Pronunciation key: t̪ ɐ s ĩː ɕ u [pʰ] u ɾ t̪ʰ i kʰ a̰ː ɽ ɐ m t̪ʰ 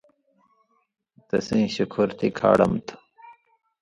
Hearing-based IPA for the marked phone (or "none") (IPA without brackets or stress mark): kʰ